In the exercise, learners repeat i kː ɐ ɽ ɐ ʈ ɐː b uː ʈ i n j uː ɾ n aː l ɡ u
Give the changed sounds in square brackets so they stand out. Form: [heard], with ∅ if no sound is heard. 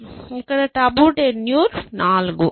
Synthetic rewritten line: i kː ɐ ɽ ɐ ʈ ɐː b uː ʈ [e] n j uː ɾ n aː l ɡ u